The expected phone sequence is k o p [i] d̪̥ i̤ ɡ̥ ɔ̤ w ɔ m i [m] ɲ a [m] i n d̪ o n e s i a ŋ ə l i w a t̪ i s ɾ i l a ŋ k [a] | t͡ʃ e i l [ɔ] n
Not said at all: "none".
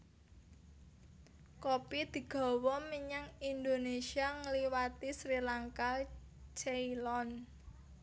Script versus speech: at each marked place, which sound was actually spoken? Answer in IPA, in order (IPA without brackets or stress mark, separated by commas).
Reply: i, none, ŋ, a, ɔ